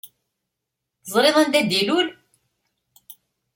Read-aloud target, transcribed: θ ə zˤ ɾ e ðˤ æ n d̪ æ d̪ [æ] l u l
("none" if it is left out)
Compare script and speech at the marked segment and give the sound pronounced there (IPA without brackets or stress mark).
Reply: i